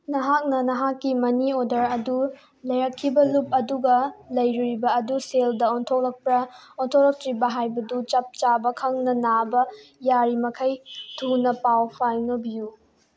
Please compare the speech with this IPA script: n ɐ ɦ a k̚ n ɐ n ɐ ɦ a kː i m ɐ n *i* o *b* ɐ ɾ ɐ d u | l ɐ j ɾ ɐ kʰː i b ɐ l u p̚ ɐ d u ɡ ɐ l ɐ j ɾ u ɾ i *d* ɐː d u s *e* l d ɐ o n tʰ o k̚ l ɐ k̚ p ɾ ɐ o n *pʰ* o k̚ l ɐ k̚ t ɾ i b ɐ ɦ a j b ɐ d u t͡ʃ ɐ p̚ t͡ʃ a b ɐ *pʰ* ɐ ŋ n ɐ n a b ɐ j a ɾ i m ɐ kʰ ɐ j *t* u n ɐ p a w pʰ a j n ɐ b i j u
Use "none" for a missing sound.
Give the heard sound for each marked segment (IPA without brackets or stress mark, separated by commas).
i, d, b, e, tʰ, kʰ, tʰ